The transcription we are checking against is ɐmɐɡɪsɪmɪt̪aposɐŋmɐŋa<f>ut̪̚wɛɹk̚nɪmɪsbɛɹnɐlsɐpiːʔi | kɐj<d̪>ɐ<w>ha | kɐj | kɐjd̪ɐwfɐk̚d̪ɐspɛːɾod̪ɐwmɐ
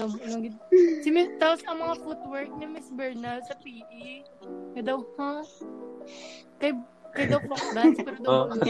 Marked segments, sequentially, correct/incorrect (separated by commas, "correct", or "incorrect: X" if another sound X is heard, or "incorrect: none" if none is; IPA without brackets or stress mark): correct, correct, correct